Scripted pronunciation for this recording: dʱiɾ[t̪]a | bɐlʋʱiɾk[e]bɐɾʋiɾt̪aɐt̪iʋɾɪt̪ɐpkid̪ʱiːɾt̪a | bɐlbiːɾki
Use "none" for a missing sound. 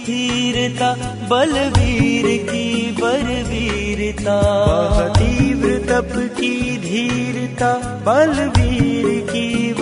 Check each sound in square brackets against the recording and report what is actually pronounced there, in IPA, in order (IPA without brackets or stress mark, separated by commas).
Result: t̪, i